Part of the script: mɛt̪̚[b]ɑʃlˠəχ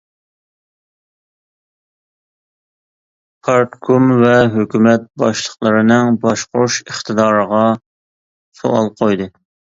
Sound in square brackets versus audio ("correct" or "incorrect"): correct